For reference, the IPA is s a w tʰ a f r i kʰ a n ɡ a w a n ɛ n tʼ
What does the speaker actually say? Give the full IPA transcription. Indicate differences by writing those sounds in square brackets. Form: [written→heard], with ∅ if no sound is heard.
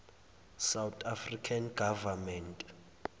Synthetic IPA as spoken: s a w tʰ a f r i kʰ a n ɡ a [w→v] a [n→m] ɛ n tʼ

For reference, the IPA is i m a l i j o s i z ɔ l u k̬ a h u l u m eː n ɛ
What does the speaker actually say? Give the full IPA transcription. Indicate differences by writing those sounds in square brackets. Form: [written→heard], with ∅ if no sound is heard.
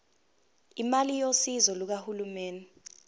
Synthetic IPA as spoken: i m a l i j o s i z ɔ l u k̬ a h u l u m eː n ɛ

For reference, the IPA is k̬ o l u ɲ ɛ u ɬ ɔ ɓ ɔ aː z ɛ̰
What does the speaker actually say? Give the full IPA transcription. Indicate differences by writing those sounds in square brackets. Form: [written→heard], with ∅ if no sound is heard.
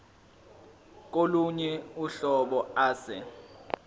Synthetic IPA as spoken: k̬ o l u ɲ ɛ u ɬ ɔ ɓ ɔ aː [z→s] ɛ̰

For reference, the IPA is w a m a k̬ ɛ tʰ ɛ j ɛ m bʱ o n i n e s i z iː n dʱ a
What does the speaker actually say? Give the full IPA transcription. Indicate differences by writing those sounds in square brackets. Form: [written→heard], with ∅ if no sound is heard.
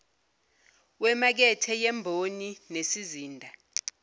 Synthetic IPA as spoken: w [a→ɛ] m a k̬ ɛ tʰ ɛ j ɛ m bʱ o n i n e s i z iː n dʱ a

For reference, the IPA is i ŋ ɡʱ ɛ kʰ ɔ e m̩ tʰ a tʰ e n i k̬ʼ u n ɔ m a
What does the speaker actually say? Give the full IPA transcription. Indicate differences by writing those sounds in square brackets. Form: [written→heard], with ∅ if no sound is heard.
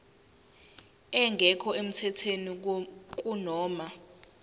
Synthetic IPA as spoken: [i→ɛ] ŋ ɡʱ ɛ kʰ ɔ e m̩ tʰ [a→ɛ] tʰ e n i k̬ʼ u n [ɔ→ɔː] m a

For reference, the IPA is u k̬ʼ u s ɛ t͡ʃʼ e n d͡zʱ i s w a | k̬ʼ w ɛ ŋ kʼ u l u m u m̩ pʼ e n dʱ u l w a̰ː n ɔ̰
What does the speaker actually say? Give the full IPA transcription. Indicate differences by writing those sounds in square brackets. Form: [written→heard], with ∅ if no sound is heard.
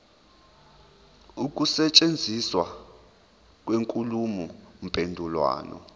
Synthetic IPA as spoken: u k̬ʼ u s ɛ t͡ʃʼ e n d͡zʱ i s w a | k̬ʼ w [ɛ→e] ŋ kʼ u l u m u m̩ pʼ e n dʱ u l w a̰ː n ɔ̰

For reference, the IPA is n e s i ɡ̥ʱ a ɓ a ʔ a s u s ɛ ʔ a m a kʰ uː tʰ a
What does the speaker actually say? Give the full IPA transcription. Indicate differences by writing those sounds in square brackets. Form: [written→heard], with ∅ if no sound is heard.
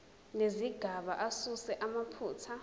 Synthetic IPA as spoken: n e [s→z] i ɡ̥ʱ a ɓ a ʔ a s u s ɛ ʔ a m a [kʰ→pʰ] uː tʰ a

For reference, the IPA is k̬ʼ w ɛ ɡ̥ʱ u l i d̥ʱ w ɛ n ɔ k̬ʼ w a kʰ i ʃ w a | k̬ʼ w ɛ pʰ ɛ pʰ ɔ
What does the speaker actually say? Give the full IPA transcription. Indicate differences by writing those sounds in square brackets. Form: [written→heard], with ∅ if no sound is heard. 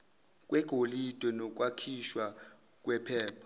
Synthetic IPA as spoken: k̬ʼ w ɛ ɡ̥ʱ [u→o] l i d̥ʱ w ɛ n ɔ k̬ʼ w a kʰ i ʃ w a | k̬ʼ w ɛ pʰ [ɛ→ɛː] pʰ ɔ

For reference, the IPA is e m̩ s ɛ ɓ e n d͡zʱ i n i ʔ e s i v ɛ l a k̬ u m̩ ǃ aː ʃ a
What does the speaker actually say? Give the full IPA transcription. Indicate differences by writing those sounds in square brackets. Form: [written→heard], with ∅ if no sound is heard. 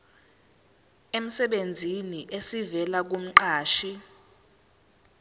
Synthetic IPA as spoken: e m̩ s ɛ ɓ e n d͡zʱ i n i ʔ e s i v ɛ l a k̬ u m̩ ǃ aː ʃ [a→i]

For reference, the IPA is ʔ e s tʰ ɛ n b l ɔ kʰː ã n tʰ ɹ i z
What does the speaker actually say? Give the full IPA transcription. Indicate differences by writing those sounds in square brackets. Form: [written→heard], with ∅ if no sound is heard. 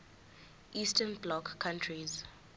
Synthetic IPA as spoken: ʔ [e→i] s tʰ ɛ n b l ɔ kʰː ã n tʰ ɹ i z

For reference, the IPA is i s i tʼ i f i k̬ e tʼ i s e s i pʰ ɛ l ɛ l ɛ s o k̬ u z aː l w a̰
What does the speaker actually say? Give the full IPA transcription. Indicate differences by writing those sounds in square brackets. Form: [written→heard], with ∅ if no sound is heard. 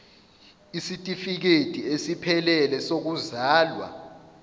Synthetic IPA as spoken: i s i tʼ i f i k̬ e tʼ i [s→∅] e s i pʰ ɛ l ɛ l ɛ s o k̬ u z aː l w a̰

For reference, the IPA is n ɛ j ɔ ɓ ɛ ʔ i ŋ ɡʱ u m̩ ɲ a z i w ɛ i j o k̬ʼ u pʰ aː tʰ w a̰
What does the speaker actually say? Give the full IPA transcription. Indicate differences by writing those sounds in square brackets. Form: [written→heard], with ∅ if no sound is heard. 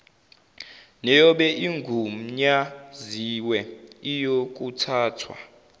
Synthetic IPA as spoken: n ɛ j ɔ ɓ ɛ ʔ i ŋ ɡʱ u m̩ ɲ a z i w ɛ i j o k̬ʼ u [pʰ→tʰ] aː tʰ w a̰

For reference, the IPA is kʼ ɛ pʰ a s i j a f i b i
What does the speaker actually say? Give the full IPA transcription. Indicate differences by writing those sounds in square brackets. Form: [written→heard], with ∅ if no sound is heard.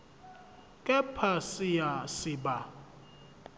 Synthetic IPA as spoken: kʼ ɛ pʰ a s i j a [f→s] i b [i→a]

